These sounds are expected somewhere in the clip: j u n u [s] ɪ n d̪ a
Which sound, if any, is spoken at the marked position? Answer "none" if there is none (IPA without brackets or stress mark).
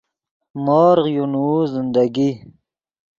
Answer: z